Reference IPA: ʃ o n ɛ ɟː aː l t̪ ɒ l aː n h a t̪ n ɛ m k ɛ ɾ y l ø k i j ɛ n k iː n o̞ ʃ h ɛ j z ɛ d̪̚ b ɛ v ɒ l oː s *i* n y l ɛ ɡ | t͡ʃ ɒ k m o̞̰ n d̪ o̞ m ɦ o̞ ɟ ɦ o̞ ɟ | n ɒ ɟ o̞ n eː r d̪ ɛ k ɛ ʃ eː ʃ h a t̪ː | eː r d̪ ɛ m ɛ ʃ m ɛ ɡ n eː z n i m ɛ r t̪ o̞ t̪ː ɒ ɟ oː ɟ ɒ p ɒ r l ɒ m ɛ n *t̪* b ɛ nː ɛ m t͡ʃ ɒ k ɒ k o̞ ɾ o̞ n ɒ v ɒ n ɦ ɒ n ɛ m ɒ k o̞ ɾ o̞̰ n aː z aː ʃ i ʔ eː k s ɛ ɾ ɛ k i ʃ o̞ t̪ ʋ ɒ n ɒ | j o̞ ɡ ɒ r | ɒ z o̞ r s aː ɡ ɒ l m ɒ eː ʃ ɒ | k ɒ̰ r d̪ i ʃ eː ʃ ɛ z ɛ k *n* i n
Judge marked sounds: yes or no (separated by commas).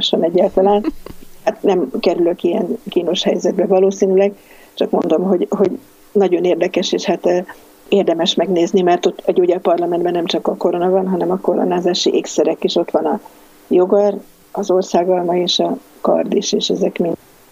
no, no, no